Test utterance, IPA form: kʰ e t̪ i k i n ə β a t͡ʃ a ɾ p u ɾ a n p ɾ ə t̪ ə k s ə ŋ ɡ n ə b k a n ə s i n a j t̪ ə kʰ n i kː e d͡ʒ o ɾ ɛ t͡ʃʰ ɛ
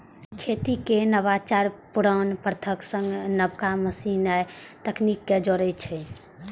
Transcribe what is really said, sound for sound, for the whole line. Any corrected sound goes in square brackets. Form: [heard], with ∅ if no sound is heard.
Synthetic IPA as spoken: kʰ e t̪ i k [e] n ə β a t͡ʃ a ɾ p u ɾ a n p ɾ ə [t̪ʰ] ə k s ə ŋ ɡ n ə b k a [m] ə s i n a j t̪ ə [k] n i kː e d͡ʒ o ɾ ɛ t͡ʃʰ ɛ